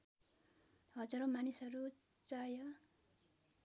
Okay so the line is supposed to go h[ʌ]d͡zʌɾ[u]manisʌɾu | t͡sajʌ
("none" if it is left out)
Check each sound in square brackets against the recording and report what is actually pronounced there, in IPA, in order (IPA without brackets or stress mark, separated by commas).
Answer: ʌ, o